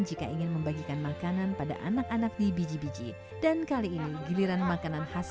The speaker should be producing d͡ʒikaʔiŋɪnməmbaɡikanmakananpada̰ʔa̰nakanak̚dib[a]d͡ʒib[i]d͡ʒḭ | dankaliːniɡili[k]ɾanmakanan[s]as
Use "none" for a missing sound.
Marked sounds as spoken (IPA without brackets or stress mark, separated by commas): i, i, none, h